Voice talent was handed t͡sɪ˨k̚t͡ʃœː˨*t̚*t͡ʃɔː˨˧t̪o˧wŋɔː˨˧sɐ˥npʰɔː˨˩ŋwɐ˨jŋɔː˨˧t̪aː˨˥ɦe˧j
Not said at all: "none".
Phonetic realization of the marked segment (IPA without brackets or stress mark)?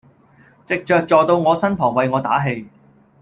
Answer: k̚